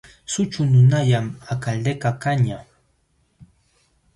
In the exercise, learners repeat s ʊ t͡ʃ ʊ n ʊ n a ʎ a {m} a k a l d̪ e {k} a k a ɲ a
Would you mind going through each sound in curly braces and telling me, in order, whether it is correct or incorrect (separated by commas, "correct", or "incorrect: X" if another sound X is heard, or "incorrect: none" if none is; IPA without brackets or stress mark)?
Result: correct, correct